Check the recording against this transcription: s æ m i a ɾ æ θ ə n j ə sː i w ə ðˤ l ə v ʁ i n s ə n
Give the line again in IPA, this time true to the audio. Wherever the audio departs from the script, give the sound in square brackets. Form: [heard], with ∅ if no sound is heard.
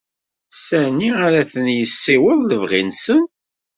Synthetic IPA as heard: s æ [n] i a ɾ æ θ ə n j ə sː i w ə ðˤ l ə v ʁ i n s ə n